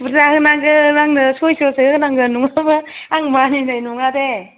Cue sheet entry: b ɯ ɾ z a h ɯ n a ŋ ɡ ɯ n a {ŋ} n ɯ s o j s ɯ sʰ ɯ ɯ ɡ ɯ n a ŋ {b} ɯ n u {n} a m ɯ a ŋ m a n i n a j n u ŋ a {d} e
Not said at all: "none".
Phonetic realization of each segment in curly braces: ŋ, ɡ, ŋ, d

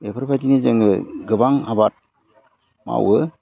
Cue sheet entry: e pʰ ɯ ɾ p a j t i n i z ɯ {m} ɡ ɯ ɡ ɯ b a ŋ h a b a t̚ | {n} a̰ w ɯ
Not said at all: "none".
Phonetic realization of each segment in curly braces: ŋ, m

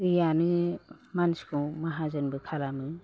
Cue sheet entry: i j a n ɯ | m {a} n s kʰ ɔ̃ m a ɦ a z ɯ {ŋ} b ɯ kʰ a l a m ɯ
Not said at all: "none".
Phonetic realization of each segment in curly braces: a, n

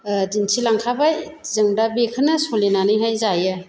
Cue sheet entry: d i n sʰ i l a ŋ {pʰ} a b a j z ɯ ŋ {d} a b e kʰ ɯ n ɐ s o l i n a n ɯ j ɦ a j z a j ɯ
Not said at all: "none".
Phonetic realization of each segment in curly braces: kʰ, d

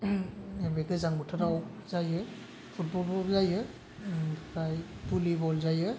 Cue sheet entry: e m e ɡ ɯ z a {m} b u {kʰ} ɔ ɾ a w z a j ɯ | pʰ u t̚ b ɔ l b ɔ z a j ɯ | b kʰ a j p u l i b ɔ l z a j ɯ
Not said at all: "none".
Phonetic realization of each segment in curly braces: ŋ, tʰ

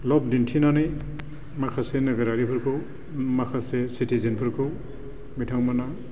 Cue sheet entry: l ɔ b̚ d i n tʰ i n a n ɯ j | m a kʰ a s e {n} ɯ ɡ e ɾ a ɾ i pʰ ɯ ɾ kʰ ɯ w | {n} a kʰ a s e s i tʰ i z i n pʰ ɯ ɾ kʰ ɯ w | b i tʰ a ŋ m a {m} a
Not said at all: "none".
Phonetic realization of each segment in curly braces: n, m, n

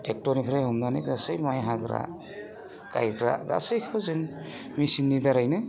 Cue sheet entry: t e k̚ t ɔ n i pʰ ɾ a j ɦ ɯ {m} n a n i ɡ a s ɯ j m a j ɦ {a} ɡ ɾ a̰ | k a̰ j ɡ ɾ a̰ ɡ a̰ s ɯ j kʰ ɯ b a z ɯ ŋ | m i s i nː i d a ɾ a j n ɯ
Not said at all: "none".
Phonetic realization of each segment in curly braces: m, a

